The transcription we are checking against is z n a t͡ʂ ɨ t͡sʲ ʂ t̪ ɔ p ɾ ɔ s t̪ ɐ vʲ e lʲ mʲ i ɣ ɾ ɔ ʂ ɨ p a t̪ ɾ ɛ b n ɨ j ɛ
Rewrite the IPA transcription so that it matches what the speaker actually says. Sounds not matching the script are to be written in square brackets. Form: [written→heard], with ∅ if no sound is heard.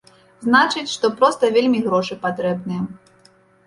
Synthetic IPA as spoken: z n a t͡ʂ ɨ t͡sʲ ʂ t̪ ɔ p ɾ ɔ s t̪ ɐ vʲ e lʲ mʲ i ɣ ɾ ɔ ʂ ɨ p a t̪ ɾ ɛ b n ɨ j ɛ